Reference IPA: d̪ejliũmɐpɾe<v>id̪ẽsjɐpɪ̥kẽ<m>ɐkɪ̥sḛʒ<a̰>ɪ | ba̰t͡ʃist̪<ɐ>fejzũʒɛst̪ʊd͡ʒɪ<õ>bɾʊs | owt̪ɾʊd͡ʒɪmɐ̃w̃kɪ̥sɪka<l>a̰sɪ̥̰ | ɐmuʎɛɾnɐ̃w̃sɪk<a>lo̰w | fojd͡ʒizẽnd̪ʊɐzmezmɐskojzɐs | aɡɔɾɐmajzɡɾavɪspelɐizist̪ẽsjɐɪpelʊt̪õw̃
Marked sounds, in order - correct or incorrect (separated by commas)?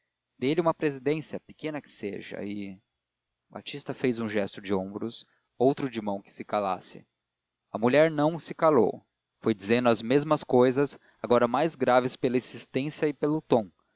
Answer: incorrect, incorrect, incorrect, correct, correct, correct, correct